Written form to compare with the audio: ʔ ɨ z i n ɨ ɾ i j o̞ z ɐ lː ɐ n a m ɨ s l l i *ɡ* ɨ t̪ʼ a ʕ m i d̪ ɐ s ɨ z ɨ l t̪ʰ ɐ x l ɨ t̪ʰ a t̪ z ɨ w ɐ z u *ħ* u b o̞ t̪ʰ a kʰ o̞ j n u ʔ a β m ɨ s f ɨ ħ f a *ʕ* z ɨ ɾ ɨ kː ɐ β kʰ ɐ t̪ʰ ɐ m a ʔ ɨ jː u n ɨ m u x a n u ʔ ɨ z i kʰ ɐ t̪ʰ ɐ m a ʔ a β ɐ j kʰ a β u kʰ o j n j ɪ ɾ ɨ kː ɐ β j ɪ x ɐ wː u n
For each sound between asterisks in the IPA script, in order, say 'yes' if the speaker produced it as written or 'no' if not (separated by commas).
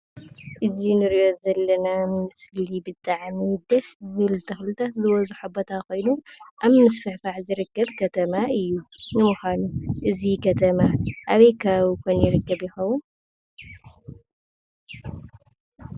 no, yes, yes